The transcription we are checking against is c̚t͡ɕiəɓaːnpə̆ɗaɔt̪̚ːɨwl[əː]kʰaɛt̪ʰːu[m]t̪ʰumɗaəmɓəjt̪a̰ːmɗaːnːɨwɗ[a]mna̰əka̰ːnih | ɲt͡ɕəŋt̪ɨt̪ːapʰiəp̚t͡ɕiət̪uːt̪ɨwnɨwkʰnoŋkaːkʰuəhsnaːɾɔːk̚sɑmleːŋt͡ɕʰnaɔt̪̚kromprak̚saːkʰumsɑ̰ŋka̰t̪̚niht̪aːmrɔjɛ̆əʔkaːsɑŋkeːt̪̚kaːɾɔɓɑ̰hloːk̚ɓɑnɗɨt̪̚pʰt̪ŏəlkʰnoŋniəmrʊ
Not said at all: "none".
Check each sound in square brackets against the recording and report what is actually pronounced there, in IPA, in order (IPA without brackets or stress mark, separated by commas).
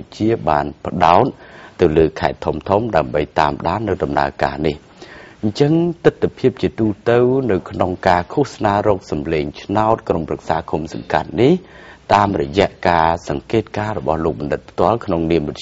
əː, m, ɑ